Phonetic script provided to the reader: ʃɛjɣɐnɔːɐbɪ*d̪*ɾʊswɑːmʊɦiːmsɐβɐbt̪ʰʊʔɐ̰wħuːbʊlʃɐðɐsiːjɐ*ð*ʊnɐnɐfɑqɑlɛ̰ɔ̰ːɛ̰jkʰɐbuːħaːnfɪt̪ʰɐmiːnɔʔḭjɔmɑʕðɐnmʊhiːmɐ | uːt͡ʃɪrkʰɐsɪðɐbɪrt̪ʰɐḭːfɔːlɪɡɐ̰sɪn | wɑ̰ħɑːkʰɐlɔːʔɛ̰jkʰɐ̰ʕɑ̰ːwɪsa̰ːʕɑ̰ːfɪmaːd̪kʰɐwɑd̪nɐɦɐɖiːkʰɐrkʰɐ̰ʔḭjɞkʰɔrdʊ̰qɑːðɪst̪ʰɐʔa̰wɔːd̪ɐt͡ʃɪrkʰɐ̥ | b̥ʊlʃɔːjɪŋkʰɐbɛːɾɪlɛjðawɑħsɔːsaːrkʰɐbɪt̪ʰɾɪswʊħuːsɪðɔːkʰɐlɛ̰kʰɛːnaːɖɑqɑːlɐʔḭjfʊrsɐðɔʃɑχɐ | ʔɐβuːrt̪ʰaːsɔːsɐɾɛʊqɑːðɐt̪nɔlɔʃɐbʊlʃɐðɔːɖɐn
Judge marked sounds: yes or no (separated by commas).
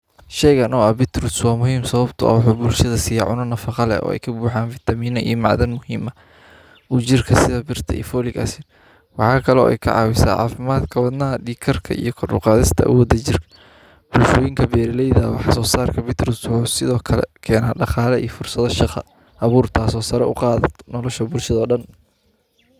no, no